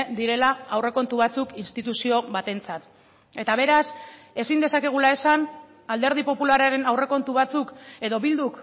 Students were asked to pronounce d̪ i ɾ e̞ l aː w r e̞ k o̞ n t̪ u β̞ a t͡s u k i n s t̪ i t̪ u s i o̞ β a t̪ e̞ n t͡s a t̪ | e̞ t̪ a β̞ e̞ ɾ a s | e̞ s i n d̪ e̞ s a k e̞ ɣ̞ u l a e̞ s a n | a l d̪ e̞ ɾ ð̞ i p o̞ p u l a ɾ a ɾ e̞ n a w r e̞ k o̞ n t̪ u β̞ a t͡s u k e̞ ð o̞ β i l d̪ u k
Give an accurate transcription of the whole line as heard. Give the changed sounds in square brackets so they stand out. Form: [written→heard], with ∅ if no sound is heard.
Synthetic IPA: d̪ i ɾ e̞ l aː w r e̞ k o̞ n t̪ u β̞ a t͡s u k i n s t̪ i t̪ u s i o̞ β a t̪ e̞ n t͡s a t̪ | e̞ t̪ a β̞ e̞ ɾ a s | e̞ s i n d̪ e̞ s a k e̞ ɣ̞ u l a e̞ s a n | a l d̪ e̞ ɾ ð̞ i p o̞ p u l a ɾ a ɾ e̞ n a w r e̞ k o̞ n t̪ u β̞ a t͡s u k e̞ ð o̞ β i l d̪ u k